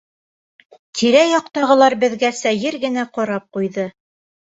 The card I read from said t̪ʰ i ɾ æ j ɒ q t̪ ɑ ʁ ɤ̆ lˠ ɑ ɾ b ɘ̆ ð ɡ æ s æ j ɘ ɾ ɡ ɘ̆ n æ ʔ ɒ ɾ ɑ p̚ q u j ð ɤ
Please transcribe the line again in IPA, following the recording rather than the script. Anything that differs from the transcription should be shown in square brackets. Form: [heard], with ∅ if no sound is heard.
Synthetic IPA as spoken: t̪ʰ i ɾ æ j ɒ q t̪ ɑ ʁ ɤ̆ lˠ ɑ ɾ b ɘ̆ ð ɡ æ s æ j ɘ ɾ ɡ ɘ̆ n æ [q] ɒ ɾ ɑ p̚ q u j ð ɤ

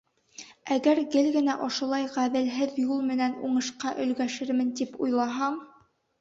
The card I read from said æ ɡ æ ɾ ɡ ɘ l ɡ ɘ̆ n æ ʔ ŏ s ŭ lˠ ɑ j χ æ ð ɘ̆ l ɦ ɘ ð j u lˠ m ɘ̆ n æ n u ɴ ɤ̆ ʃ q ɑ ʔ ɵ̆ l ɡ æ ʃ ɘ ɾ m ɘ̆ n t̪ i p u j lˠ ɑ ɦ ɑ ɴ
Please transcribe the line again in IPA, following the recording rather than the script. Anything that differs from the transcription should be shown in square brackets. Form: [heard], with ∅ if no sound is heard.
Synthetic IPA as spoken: æ ɡ æ ɾ ɡ ɘ l ɡ ɘ̆ n æ ʔ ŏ [ʃ] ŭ lˠ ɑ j [ʁ] æ ð ɘ̆ l ɦ ɘ ð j u lˠ m ɘ̆ n æ n u ɴ ɤ̆ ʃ q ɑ ʔ ɵ̆ l ɡ æ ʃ ɘ ɾ m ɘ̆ n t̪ i p u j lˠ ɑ ɦ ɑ ɴ

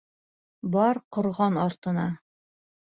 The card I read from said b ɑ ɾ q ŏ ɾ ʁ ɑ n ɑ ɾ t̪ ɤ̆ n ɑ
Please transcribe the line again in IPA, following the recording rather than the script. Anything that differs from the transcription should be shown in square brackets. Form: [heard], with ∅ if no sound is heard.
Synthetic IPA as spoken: b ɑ ɾ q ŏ ɾ ʁ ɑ n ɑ ɾ t̪ ɤ̆ n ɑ

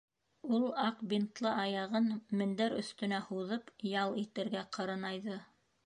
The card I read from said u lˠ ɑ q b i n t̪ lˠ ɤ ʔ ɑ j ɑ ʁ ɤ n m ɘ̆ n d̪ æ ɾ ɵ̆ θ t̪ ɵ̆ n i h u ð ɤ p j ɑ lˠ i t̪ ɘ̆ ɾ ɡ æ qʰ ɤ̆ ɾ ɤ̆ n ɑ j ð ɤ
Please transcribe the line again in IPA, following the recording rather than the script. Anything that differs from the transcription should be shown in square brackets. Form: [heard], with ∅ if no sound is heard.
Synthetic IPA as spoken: u lˠ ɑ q b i n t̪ lˠ ɤ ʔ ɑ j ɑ ʁ ɤ n m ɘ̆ n d̪ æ ɾ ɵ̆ θ t̪ ɵ̆ n [æ] h u ð ɤ p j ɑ lˠ i t̪ ɘ̆ ɾ ɡ æ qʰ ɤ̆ ɾ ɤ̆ n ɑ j ð ɤ

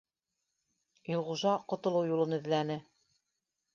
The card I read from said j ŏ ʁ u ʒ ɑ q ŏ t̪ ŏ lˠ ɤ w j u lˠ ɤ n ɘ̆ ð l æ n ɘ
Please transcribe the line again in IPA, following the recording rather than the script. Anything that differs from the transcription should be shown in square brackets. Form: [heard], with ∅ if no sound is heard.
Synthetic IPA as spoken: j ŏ ʁ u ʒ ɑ q ŏ t̪ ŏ lˠ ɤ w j u lˠ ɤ n ɘ̆ ð l æ n ɘ

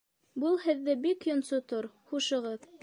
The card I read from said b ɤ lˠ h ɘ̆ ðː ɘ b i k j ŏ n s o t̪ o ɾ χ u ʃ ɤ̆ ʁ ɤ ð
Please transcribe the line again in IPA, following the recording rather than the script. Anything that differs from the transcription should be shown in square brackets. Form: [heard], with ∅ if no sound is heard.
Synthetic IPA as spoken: b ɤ lˠ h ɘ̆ ðː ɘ b i k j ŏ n s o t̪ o ɾ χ u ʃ ɤ̆ ʁ ɤ ð

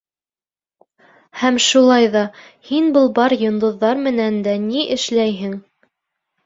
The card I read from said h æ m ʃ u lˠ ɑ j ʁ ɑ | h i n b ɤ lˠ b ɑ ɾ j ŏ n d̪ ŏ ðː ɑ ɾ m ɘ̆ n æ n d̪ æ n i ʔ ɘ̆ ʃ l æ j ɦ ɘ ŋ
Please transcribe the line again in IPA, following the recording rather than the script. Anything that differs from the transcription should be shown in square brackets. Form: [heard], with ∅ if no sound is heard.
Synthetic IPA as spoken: h æ m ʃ u lˠ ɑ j [ð] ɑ | h i n b ɤ lˠ b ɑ ɾ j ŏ n d̪ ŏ ðː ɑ ɾ m ɘ̆ n æ n d̪ æ n i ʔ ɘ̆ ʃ l æ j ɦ ɘ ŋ

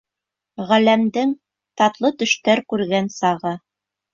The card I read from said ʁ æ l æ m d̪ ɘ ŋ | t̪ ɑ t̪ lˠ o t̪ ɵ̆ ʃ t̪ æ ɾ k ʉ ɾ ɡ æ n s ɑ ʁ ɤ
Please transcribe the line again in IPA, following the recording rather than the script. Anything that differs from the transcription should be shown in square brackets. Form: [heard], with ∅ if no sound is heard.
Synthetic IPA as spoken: ʁ æ l æ m d̪ ɘ ŋ | t̪ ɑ t̪ lˠ [ɤ] t̪ ɵ̆ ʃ t̪ æ ɾ k ʉ ɾ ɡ æ n s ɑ ʁ ɤ

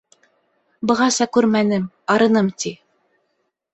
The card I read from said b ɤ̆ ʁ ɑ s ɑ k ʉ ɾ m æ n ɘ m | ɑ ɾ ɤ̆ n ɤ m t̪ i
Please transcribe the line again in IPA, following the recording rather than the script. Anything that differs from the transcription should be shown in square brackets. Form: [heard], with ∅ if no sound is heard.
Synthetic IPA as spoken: b ɤ̆ ʁ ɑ s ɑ k ʉ ɾ m æ n ɘ m | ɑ ɾ ɤ̆ n ɤ m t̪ i

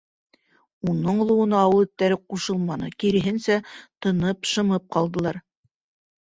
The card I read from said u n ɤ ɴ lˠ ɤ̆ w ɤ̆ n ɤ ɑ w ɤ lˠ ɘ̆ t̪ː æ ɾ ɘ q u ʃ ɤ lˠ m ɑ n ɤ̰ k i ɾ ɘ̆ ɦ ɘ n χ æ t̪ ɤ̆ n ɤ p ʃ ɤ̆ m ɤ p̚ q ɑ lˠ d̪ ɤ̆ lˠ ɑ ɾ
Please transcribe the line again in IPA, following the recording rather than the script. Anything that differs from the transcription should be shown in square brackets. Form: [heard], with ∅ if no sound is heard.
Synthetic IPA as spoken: u n ɤ ɴ lˠ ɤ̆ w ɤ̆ n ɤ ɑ w ɤ lˠ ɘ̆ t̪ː æ ɾ ɘ q u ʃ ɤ lˠ m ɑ n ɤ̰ k i ɾ ɘ̆ ɦ ɘ n [s] æ t̪ ɤ̆ n ɤ p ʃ ɤ̆ m ɤ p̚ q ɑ lˠ d̪ ɤ̆ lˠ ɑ ɾ

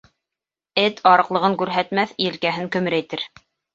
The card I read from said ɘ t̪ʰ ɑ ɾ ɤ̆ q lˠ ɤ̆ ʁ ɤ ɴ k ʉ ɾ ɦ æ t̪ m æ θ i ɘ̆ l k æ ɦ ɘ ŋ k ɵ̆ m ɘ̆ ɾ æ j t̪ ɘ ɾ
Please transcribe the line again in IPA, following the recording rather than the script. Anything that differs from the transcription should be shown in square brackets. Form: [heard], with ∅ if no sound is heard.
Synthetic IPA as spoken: ɘ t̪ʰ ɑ ɾ ɤ̆ q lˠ ɤ̆ ʁ ɤ [ŋ] k ʉ ɾ ɦ æ t̪ m æ θ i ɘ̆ l k æ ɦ ɘ ŋ k ɵ̆ m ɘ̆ ɾ æ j t̪ ɘ ɾ

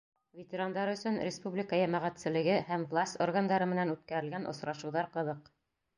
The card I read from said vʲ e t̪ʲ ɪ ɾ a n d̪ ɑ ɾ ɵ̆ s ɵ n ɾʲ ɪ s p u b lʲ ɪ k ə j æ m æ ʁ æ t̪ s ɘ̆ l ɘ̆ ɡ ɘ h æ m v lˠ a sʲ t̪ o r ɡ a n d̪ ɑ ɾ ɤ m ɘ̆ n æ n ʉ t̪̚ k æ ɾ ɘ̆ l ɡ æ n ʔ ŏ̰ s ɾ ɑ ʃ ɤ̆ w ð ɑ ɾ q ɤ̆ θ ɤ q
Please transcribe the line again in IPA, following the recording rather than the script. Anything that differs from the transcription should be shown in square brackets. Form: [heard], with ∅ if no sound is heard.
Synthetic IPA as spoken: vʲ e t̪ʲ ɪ ɾ a n d̪ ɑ ɾ ɵ̆ s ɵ n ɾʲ ɪ s p u b lʲ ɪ k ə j æ m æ ʁ æ t̪ s ɘ̆ l ɘ̆ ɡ ɘ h æ m v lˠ a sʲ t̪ o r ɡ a n d̪ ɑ ɾ ɤ m ɘ̆ n æ n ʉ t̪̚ k æ ɾ ɘ̆ l ɡ æ n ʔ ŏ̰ s ɾ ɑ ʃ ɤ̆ w ð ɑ ɾ q ɤ̆ [ð] ɤ q

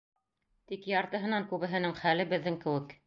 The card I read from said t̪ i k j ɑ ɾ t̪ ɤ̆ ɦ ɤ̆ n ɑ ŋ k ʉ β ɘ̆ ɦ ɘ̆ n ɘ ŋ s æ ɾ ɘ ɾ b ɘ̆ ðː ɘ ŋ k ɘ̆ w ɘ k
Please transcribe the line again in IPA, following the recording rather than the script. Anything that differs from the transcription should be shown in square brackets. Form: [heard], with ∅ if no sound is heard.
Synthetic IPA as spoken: t̪ i k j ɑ ɾ t̪ ɤ̆ ɦ ɤ̆ n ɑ ŋ k ʉ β ɘ̆ ɦ ɘ̆ n ɘ ŋ [χ] æ [l] ɘ [∅] b ɘ̆ ðː ɘ ŋ k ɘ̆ w ɘ k

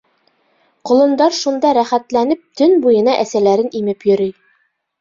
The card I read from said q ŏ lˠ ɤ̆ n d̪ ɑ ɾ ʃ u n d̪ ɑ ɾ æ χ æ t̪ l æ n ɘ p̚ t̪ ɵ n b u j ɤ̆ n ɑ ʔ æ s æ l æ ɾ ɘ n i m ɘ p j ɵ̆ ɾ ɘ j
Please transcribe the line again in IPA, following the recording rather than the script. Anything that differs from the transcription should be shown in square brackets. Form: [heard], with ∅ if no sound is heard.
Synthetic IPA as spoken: q ŏ lˠ ɤ̆ n d̪ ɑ ɾ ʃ u n d̪ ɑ ɾ æ χ æ t̪ l æ n ɘ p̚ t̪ ɵ n b u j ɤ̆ n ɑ ʔ æ s æ l æ ɾ ɘ n i m ɘ p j ɵ̆ ɾ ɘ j

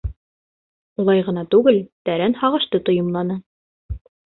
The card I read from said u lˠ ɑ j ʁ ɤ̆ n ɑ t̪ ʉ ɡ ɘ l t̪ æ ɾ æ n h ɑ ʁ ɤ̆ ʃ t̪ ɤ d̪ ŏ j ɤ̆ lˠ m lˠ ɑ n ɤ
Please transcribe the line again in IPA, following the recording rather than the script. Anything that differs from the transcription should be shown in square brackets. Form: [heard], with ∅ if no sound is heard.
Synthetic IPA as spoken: u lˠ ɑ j ʁ ɤ̆ n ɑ t̪ ʉ ɡ ɘ l t̪ æ ɾ æ n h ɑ ʁ ɤ̆ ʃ t̪ ɤ [t̪] ŏ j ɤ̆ [∅] m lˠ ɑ n ɤ

